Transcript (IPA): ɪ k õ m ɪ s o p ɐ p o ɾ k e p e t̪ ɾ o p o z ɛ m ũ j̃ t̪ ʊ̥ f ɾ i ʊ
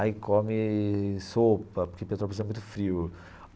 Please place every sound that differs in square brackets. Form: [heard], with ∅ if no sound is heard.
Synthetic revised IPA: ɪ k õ m ɪ s o p ɐ p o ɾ k e p e t̪ ɾ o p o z ɛ m ũ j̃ t̪ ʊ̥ f ɾ i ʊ